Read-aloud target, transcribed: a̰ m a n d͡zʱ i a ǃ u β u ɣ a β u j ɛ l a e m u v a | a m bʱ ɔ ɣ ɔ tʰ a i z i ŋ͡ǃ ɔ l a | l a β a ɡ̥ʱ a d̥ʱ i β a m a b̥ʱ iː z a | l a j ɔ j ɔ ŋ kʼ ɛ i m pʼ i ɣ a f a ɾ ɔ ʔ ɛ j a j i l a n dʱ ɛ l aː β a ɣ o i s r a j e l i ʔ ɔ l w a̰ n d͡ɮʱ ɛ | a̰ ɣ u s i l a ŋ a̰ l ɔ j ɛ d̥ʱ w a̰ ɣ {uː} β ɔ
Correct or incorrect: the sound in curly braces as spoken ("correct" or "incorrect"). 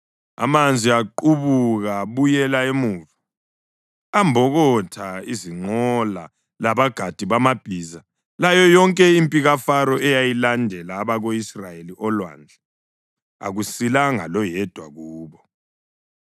correct